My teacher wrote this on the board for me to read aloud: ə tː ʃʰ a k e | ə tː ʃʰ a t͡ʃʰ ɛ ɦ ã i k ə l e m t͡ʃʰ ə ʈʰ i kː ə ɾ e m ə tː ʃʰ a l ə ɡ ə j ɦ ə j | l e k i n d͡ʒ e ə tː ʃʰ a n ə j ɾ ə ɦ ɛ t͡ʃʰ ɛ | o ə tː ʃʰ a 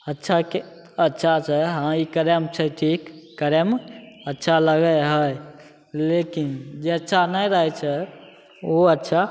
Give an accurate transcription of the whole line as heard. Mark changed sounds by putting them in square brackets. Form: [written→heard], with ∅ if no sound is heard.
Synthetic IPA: ə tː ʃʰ a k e | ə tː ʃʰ a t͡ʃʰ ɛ ɦ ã i k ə [l→ɾ] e m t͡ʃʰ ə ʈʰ i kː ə ɾ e m ə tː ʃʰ a l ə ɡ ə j ɦ ə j | l e k i n d͡ʒ e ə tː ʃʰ a n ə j ɾ ə ɦ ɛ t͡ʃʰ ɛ | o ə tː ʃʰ a